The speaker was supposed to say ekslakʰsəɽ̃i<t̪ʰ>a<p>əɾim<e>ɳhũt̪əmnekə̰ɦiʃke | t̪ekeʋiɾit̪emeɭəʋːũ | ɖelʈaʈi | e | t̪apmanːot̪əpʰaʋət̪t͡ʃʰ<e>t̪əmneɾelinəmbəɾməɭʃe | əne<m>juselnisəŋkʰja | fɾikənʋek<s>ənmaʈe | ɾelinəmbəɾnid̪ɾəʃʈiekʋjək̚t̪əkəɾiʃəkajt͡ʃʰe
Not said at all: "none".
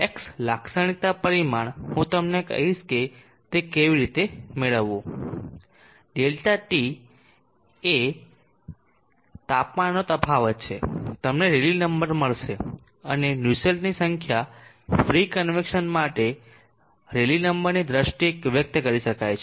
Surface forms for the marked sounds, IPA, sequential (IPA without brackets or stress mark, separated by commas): t̪, p, a, e, n, ʃ